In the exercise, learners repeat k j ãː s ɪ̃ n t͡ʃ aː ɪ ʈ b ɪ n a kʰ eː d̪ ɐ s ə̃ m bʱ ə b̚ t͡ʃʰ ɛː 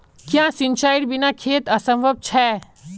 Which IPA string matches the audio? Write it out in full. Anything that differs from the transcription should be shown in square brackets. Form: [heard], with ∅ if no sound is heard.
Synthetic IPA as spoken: k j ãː s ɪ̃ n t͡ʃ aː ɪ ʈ b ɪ n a kʰ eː [t̪] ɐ s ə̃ m bʱ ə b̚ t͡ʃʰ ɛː